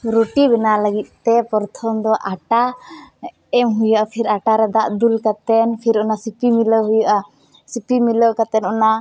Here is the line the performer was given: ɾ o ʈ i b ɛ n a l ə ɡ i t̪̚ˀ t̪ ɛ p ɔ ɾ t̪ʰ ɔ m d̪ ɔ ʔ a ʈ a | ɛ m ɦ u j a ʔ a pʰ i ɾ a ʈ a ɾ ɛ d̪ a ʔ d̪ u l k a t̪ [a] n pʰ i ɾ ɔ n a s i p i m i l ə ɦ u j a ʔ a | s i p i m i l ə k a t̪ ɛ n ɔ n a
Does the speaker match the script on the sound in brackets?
no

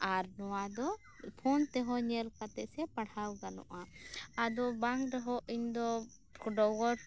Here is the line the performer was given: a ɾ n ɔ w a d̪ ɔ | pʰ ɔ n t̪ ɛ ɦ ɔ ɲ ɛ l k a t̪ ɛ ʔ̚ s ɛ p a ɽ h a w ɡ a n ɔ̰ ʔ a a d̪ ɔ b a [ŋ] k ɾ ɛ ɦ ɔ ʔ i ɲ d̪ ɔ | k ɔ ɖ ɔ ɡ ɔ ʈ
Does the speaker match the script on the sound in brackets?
yes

